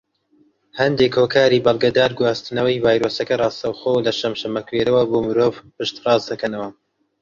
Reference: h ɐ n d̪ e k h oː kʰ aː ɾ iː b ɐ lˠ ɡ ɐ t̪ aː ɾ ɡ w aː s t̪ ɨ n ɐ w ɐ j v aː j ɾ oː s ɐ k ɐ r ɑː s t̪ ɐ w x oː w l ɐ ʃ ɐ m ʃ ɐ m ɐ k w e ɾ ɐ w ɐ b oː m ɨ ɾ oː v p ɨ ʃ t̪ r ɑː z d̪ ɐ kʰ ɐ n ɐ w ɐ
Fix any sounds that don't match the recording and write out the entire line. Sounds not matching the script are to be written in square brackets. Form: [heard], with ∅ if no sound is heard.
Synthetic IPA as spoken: h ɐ n d̪ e k h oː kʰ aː ɾ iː b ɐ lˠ ɡ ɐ [d̪] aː ɾ ɡ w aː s t̪ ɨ n ɐ w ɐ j v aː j ɾ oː s ɐ k ɐ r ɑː s t̪ ɐ w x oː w l ɐ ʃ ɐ m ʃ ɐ m ɐ k w e ɾ ɐ w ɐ b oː m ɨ ɾ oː v p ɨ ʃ t̪ r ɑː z d̪ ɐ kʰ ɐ n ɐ w ɐ